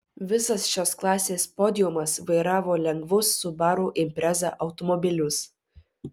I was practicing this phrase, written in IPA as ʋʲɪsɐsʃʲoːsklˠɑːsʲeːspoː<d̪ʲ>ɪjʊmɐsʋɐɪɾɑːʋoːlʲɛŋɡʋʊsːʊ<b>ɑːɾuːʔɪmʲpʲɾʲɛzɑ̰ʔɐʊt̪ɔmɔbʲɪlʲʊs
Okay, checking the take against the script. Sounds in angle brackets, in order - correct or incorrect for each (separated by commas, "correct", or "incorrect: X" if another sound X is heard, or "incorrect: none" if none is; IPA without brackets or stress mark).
correct, correct